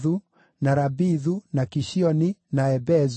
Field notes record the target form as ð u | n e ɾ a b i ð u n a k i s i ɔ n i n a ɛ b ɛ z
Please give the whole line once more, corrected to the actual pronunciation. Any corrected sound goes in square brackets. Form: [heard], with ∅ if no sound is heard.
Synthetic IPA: ð u | n [a] ɾ a b i ð u n a k i [ʃ] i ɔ n i n a ɛ b ɛ z